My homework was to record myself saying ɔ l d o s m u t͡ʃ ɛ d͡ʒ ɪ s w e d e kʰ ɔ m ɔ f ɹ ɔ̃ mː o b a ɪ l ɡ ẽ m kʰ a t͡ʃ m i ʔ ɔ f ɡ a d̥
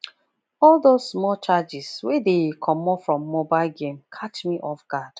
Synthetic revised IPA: ɔ l d o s m ɔ t͡ʃ a d͡ʒ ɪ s w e d e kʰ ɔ m ɔ f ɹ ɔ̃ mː o b a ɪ l ɡ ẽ m kʰ a t͡ʃ m i ʔ ɔ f ɡ a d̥